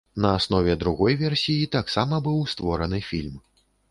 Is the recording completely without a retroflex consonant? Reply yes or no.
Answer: yes